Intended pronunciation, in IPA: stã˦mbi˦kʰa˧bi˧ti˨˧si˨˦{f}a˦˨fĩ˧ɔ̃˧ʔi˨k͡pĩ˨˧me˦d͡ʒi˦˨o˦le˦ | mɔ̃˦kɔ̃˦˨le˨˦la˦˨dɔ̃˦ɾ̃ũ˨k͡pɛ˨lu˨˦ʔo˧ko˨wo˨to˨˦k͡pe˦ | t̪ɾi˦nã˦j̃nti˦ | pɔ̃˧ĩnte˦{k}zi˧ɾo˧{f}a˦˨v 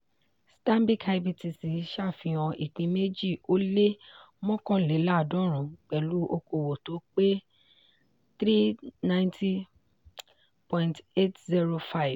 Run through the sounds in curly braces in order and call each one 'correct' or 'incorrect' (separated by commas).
incorrect, incorrect, correct